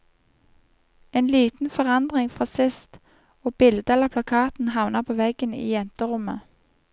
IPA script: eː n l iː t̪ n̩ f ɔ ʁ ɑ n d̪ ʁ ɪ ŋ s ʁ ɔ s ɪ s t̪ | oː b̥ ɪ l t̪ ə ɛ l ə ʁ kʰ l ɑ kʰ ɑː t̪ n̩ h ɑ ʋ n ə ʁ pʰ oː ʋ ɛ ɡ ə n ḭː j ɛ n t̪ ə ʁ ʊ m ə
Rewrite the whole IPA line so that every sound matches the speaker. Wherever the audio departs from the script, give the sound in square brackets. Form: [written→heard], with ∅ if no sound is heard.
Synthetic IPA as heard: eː n l iː t̪ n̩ f ɔ ʁ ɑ n d̪ ʁ ɪ ŋ [s→f] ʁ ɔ s ɪ s t̪ | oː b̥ ɪ l [t̪→d̪] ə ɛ l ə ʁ [kʰ→pʰ] l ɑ kʰ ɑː t̪ n̩ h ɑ ʋ n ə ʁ pʰ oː ʋ ɛ ɡ ə n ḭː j ɛ n t̪ ə ʁ ʊ m ə

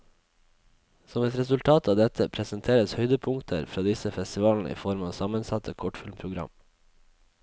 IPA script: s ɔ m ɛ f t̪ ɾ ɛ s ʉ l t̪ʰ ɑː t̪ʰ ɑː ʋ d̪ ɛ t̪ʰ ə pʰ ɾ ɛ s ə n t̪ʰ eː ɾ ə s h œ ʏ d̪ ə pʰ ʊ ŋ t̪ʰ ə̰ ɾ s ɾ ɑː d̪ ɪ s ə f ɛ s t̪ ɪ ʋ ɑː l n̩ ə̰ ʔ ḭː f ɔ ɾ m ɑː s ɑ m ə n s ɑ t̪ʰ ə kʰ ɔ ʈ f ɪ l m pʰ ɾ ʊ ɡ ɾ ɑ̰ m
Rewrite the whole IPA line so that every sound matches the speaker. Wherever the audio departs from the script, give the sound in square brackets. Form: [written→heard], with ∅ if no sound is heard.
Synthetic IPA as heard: s ɔ m ɛ [f→∅] t̪ ɾ ɛ s ʉ l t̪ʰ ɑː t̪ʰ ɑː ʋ d̪ ɛ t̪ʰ ə pʰ ɾ ɛ s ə n t̪ʰ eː ɾ ə s h œ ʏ d̪ ə pʰ ʊ ŋ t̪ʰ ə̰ ɾ [s→f] ɾ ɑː d̪ ɪ s ə f ɛ s t̪ ɪ ʋ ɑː l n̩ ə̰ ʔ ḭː f ɔ ɾ m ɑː s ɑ m ə n s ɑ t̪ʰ ə kʰ ɔ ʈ f ɪ l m pʰ ɾ ʊ ɡ ɾ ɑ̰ m

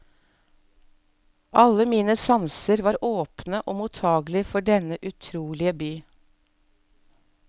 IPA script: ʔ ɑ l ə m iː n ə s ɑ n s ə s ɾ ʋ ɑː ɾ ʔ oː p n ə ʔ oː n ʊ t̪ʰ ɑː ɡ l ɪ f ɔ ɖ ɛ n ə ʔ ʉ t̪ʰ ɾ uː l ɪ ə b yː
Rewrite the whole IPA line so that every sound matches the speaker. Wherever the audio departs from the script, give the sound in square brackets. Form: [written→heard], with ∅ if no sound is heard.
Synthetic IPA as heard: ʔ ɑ l ə m iː n ə s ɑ n s ə [s→∅] ɾ ʋ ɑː ɾ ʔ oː p n ə ʔ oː [n→m] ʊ t̪ʰ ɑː ɡ l ɪ f ɔ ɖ ɛ n ə ʔ ʉ t̪ʰ ɾ uː l ɪ ə b yː

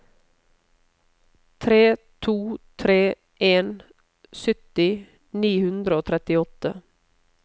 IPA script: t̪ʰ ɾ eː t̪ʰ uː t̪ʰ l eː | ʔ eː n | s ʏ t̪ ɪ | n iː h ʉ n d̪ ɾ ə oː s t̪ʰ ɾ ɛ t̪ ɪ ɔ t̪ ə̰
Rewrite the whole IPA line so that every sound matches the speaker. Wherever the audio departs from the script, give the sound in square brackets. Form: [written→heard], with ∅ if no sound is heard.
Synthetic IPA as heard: t̪ʰ ɾ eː t̪ʰ uː t̪ʰ [l→ɾ] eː | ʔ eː n | s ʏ t̪ ɪ | n iː h ʉ n d̪ ɾ ə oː [s→∅] t̪ʰ ɾ ɛ t̪ ɪ ɔ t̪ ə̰

